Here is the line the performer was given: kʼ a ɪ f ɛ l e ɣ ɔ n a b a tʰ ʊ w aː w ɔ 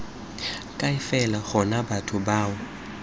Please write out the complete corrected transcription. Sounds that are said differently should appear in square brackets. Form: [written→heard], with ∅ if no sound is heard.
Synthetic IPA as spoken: kʼ a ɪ f ɛ l [e→a] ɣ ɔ n a b a tʰ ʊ [w→b] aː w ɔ